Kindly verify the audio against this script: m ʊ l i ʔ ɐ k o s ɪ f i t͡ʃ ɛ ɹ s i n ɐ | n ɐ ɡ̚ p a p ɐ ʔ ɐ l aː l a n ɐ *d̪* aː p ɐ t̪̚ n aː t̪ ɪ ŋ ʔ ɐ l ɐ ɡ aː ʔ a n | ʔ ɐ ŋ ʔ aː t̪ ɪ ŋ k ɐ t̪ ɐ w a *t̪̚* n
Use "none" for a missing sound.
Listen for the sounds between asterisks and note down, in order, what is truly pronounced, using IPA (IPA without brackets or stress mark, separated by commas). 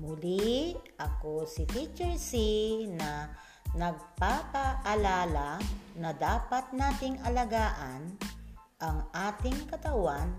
d̪, none